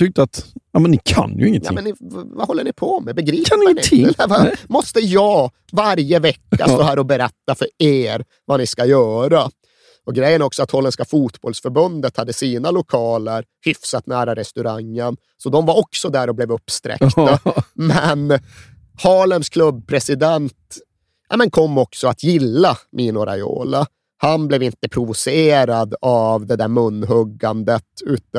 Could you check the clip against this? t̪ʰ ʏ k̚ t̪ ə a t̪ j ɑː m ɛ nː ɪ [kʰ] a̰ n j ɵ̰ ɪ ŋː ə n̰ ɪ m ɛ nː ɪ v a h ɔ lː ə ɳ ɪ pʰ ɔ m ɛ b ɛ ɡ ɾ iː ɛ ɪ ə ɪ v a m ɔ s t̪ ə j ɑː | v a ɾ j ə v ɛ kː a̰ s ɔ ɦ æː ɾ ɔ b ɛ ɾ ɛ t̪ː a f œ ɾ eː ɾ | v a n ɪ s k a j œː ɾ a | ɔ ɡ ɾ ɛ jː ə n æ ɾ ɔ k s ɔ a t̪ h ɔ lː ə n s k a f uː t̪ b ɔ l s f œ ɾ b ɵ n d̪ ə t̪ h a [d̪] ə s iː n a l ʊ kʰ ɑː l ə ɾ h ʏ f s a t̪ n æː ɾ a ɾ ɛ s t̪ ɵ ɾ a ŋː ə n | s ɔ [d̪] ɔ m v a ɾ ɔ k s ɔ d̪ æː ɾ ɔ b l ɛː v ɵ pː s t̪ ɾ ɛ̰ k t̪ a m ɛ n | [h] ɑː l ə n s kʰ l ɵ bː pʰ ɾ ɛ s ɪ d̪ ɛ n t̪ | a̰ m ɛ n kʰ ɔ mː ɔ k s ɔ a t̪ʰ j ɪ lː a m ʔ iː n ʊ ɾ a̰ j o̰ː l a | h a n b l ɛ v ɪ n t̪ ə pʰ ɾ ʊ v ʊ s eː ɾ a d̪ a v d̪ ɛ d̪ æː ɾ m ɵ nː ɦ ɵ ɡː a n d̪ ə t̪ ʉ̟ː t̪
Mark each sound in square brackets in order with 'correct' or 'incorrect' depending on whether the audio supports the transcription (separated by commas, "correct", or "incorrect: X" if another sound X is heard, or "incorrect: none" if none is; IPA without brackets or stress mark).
correct, incorrect: d̪ː, correct, correct